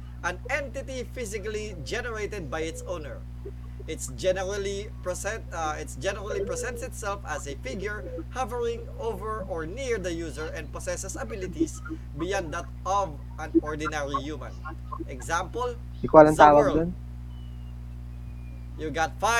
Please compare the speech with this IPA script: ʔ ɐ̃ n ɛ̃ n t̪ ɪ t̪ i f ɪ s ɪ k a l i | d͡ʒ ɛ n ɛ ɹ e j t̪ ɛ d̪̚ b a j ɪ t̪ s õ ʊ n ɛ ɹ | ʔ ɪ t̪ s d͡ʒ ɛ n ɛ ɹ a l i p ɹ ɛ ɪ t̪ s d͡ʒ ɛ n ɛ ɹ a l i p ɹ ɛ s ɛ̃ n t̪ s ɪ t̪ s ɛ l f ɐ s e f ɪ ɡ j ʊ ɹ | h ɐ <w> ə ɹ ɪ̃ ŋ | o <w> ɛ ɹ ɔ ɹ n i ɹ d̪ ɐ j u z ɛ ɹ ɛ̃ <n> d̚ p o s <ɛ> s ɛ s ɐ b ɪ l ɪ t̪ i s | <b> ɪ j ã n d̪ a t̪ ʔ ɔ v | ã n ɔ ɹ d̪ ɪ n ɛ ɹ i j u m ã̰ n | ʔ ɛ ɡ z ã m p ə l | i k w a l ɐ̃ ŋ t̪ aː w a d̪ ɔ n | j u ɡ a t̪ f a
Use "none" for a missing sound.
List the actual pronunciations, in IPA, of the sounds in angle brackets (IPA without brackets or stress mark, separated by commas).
v, v, n, ɛ, b